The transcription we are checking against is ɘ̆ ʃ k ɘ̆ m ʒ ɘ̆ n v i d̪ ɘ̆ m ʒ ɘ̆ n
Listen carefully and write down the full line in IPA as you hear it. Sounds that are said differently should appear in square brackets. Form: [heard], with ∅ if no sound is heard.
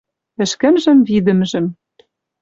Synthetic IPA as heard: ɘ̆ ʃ k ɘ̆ m ʒ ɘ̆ [m] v i d̪ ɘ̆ m ʒ ɘ̆ [m]